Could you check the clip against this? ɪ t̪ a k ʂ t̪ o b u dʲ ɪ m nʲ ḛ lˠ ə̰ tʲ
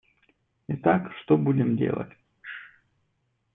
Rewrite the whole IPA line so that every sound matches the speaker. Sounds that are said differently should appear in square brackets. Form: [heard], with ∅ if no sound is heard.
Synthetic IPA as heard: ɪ t̪ a k ʂ t̪ o b u dʲ ɪ m [dʲ] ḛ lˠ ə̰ tʲ